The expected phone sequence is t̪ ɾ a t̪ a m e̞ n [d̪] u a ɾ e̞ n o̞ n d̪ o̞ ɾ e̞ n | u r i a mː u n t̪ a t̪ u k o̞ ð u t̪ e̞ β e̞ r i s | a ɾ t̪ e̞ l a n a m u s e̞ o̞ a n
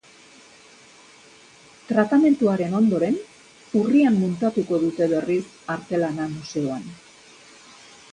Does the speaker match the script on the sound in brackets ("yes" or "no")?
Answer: no